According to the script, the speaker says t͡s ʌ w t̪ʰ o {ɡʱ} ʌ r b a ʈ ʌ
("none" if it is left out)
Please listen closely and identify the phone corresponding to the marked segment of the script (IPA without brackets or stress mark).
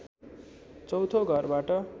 ɡʱ